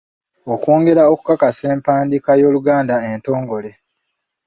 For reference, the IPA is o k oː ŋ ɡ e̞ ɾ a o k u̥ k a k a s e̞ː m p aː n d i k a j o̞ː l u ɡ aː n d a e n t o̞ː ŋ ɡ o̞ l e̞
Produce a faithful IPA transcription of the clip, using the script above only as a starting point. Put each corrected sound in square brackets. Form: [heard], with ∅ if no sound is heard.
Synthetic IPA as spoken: o k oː ŋ ɡ e̞ ɾ a o k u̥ k a k a s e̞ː m p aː n d i k a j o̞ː l u ɡ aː n d a e n t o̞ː ŋ ɡ o̞ l e̞